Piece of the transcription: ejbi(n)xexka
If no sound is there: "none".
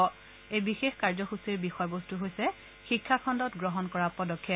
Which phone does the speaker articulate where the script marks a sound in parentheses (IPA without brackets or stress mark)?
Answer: none